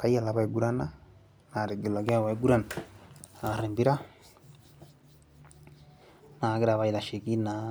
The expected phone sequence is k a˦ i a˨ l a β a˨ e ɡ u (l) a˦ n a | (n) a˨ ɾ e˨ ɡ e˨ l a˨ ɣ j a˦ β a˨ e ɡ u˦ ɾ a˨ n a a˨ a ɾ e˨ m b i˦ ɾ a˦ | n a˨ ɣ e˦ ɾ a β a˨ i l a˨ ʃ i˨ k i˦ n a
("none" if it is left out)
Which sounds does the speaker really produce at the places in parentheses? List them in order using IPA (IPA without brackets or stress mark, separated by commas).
ɾ, n